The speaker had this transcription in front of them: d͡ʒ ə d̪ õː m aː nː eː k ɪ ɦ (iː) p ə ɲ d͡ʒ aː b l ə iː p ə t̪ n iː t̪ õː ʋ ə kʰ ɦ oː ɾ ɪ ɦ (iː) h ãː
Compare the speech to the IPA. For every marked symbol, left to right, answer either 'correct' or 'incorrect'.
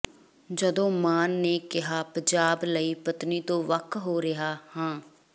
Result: incorrect, incorrect

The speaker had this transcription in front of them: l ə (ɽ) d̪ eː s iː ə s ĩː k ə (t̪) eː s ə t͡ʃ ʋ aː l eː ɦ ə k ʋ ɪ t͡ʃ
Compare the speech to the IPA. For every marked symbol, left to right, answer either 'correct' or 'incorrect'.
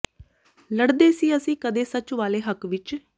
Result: correct, incorrect

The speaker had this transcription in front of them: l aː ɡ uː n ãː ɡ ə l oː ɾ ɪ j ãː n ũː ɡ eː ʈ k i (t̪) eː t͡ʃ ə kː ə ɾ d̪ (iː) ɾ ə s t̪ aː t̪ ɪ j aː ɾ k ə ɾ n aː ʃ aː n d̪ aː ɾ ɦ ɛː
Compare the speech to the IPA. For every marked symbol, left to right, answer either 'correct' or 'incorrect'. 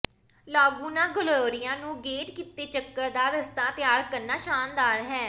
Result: correct, incorrect

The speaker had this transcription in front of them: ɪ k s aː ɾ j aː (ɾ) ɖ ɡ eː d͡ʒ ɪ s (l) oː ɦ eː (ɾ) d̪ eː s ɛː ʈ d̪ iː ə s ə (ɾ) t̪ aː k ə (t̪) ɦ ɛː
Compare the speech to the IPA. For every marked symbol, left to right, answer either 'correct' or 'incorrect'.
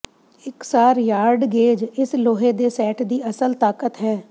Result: correct, correct, incorrect, incorrect, correct

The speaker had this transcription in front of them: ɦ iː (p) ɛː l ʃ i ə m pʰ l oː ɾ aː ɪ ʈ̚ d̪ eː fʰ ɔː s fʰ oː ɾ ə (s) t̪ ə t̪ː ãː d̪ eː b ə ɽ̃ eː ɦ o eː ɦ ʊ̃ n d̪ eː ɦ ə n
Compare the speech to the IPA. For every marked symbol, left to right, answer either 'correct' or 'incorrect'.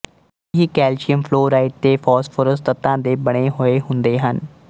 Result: incorrect, correct

